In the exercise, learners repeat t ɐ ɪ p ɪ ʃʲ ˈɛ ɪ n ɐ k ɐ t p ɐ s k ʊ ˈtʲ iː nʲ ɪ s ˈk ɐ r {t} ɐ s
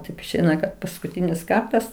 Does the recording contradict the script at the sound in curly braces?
no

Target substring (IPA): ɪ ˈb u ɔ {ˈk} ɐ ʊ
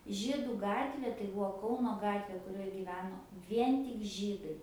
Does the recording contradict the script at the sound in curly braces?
no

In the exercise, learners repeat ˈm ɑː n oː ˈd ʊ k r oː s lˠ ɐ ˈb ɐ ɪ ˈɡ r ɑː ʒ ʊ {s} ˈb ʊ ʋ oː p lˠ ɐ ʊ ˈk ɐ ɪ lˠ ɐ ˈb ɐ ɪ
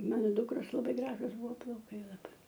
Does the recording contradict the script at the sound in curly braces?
no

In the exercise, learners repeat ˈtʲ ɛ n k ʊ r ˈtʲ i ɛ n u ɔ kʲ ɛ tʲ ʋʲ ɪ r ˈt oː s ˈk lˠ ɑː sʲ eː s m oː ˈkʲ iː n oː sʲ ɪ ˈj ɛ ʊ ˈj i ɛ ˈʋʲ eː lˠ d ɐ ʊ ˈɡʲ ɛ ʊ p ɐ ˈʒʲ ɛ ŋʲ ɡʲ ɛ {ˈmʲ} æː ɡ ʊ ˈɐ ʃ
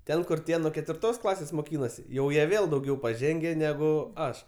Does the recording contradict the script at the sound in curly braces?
yes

